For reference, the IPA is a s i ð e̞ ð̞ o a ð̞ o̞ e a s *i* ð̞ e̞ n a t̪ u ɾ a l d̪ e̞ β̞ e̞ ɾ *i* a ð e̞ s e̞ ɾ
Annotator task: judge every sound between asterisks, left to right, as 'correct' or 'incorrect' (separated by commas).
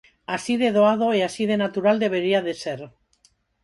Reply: correct, correct